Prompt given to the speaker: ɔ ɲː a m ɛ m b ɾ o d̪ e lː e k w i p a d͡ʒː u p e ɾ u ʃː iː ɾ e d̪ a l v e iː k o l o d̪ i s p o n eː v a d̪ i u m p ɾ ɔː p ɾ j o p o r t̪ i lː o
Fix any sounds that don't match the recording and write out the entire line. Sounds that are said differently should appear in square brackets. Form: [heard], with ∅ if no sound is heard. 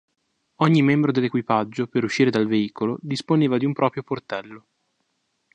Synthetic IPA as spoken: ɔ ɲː [i] m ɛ m b ɾ o d̪ e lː e k w i p a d͡ʒː [o] p e ɾ u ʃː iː ɾ e d̪ a l v e iː k o l o d̪ i s p o n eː v a d̪ i u m p ɾ ɔː p ɾ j o p o r t̪ [ɛ] lː o